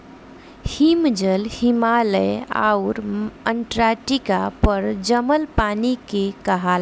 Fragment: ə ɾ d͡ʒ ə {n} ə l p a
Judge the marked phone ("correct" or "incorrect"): incorrect